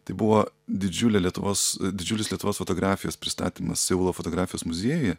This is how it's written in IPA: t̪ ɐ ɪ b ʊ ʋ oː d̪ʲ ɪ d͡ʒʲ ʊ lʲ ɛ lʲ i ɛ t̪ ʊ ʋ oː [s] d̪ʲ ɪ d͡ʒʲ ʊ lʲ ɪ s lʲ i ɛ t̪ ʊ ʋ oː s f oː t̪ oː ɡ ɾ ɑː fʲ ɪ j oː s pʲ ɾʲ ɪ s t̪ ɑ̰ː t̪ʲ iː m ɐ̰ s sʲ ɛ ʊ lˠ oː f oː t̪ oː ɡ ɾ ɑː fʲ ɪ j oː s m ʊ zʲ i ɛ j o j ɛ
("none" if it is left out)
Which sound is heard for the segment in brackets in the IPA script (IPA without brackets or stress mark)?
s